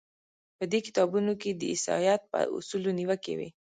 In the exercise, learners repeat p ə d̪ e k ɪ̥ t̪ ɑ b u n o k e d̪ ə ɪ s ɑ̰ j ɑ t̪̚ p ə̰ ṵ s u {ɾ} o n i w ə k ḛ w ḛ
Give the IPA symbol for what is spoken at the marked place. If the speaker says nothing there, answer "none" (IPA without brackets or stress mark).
l